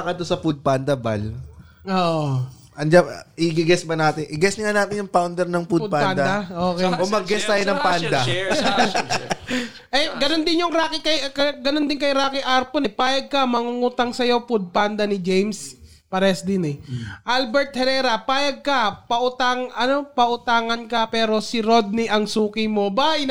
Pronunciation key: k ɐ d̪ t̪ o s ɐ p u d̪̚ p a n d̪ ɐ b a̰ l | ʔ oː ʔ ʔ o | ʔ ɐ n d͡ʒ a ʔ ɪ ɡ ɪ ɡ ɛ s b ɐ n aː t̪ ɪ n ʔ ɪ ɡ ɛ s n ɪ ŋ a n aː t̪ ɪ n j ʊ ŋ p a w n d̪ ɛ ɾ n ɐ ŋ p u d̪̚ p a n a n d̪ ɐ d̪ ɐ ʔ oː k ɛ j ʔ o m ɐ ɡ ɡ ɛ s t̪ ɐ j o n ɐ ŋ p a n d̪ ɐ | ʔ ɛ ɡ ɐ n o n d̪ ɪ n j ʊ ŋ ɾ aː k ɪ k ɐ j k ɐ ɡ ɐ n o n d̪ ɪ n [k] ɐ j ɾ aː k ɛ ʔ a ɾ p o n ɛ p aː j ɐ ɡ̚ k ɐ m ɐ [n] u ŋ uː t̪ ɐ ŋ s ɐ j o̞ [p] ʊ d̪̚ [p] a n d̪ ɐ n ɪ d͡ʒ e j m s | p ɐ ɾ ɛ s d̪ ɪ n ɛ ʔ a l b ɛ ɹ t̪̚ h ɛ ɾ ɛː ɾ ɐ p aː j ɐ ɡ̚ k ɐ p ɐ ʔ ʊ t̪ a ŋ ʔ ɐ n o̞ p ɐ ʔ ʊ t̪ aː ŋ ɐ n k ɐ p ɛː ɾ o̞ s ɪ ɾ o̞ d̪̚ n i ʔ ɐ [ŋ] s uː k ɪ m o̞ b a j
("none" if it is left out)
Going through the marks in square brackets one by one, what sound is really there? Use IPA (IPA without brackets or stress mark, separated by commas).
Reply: k, ŋ, p, p, ŋ